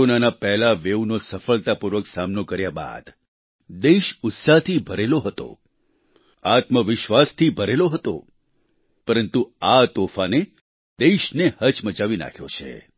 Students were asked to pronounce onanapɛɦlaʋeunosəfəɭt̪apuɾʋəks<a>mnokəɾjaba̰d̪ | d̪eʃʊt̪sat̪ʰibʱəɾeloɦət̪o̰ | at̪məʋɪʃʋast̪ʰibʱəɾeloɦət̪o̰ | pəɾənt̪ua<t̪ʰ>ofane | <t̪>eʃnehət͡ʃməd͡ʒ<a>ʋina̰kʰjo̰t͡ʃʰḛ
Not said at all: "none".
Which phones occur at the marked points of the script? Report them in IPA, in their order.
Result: a, t̪, d̪, a

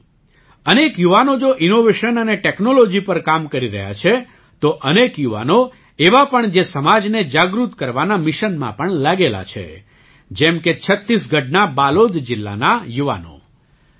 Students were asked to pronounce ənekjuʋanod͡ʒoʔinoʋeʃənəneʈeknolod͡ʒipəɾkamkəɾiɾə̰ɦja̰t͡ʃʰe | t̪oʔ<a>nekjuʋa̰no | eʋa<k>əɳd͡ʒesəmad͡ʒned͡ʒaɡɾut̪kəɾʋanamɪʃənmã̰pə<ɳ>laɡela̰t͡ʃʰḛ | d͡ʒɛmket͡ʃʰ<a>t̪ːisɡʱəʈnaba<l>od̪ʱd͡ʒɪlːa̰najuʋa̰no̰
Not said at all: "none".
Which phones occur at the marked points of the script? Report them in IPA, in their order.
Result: ə, p, ɳ, ə, l

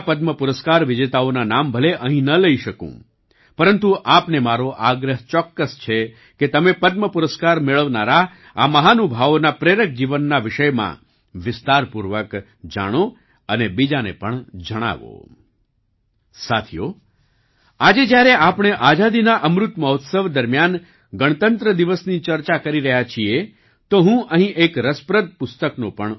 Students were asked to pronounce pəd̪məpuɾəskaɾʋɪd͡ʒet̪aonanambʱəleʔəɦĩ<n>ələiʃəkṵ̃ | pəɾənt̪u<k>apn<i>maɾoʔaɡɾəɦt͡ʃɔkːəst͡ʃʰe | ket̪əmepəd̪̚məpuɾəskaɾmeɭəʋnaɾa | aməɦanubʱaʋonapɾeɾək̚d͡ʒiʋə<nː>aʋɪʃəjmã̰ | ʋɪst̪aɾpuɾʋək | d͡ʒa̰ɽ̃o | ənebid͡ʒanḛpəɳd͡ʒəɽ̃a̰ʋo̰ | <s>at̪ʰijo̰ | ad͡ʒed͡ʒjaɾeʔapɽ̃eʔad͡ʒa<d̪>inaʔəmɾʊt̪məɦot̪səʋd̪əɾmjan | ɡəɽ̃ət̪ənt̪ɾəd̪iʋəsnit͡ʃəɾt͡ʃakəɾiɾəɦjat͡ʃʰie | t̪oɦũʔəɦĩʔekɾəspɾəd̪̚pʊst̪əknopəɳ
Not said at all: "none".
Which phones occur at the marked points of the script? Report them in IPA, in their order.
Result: n, ʔ, e, nː, s, d̪

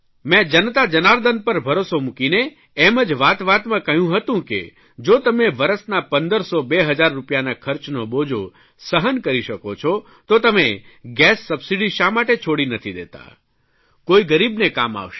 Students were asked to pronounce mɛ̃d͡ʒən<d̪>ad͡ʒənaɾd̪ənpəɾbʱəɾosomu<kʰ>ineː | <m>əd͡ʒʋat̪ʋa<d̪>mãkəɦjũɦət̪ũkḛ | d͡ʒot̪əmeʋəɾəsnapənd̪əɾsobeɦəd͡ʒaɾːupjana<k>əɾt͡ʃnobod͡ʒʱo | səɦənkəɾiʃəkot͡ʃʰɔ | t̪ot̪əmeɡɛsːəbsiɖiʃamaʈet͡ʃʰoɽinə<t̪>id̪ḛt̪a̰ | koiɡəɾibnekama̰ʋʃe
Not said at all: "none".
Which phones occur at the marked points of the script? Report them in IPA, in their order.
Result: t̪, k, m, t̪, kʰ, t̪ʰ

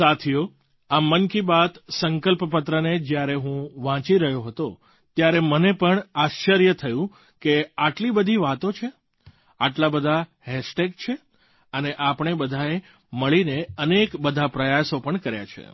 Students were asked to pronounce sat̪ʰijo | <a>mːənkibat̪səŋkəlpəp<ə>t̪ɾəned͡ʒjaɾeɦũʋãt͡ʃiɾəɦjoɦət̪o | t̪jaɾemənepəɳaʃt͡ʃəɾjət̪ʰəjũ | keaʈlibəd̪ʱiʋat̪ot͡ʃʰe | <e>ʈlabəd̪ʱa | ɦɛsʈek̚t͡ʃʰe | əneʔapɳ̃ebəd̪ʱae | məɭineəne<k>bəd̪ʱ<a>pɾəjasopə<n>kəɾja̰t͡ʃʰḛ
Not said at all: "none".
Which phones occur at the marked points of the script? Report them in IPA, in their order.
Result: a, ə, a, k, a, ɳ

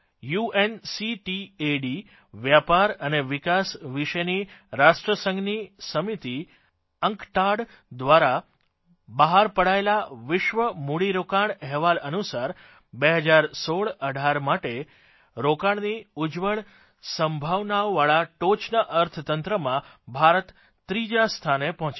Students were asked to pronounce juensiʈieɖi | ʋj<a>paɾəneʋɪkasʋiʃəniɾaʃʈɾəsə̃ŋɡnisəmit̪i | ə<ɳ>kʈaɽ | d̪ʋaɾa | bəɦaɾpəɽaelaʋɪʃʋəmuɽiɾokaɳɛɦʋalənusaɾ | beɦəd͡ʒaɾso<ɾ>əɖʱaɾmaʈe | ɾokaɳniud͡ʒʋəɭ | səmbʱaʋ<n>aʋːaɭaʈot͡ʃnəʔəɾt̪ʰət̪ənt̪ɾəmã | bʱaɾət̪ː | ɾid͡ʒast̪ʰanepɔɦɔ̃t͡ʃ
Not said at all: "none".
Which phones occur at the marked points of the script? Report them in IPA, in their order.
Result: a, ŋ, ɭ, n

